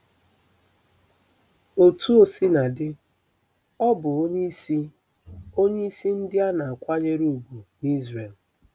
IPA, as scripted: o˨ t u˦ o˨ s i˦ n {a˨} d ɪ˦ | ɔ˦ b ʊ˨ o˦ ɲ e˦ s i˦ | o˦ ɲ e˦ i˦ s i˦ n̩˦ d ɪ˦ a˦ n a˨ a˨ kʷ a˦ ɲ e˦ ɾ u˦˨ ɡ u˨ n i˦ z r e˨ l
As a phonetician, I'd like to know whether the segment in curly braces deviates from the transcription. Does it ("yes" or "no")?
no